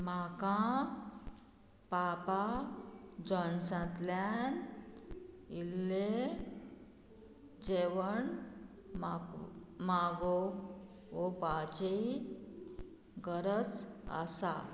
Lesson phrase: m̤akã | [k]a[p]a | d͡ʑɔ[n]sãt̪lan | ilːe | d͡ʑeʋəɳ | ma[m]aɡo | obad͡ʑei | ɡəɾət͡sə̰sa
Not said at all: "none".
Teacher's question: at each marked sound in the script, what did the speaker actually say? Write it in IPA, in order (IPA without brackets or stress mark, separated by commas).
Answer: p, p, n, m